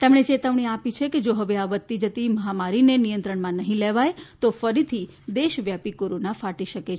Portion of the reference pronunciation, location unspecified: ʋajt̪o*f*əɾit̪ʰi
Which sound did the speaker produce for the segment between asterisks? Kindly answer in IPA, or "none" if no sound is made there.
f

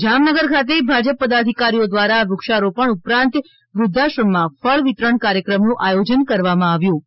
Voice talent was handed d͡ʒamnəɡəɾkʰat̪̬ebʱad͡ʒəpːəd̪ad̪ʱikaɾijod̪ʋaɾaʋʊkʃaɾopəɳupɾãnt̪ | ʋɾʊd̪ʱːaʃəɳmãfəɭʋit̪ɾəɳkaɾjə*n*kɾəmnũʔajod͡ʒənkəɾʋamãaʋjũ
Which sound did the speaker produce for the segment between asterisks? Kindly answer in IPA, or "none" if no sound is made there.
none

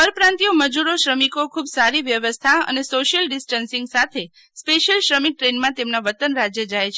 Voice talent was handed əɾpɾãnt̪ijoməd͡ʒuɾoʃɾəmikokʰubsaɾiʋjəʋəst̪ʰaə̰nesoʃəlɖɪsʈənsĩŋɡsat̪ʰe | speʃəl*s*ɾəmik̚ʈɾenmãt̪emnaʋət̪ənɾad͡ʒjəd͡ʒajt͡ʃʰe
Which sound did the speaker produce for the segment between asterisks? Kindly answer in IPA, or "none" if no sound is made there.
ʃ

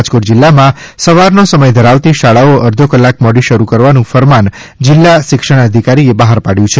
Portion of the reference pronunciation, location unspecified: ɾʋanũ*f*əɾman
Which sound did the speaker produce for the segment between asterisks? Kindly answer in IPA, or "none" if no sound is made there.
f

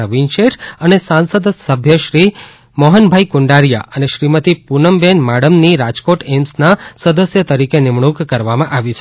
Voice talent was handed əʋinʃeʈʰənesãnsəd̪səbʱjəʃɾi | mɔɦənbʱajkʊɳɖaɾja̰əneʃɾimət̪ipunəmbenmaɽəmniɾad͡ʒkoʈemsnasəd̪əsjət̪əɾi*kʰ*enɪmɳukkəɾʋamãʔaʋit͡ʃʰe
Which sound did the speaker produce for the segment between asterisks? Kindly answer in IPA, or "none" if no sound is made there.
k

